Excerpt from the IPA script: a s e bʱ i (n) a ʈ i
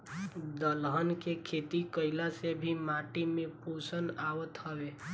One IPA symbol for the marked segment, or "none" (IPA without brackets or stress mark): m